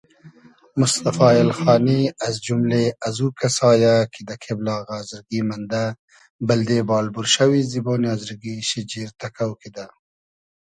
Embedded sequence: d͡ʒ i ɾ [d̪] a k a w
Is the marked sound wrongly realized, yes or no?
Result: yes